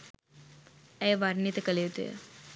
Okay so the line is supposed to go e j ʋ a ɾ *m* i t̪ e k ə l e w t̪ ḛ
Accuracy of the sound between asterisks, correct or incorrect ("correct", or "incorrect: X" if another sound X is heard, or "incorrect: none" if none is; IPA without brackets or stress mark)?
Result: incorrect: n